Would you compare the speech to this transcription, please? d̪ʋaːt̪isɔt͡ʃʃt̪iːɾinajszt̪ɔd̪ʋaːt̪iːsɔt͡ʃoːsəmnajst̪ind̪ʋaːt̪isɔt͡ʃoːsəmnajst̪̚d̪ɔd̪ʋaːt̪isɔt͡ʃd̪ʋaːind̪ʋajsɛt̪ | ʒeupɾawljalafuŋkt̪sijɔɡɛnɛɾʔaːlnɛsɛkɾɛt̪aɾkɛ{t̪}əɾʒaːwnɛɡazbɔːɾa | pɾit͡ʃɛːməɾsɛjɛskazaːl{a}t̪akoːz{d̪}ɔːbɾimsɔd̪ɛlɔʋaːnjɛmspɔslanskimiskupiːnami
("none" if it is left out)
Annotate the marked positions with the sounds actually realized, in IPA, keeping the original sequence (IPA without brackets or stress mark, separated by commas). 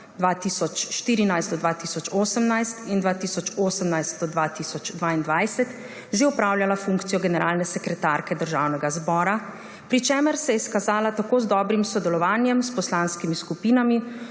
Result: d̪, a, d̪